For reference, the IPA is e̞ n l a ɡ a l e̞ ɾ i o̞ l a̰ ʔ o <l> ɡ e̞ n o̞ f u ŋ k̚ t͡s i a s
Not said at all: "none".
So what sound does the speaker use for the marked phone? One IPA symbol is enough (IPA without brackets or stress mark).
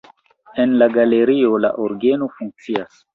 ɾ